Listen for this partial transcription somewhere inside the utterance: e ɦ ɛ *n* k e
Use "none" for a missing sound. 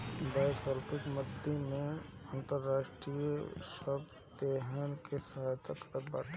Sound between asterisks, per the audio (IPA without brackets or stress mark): n